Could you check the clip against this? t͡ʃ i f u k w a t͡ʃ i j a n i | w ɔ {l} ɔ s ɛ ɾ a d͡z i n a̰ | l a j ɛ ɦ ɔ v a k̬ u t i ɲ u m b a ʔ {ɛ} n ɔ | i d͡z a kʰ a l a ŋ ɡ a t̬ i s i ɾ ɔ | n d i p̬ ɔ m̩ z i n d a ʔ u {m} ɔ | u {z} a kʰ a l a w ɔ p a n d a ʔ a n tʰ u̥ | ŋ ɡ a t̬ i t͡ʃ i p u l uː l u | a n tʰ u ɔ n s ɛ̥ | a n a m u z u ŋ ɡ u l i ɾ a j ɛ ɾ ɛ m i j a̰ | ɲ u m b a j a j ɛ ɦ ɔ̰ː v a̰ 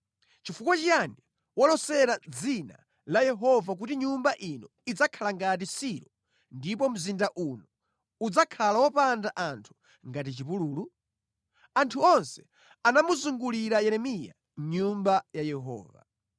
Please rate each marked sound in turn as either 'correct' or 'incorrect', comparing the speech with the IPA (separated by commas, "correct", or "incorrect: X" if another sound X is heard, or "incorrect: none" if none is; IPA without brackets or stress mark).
correct, incorrect: i, incorrect: n, incorrect: d͡z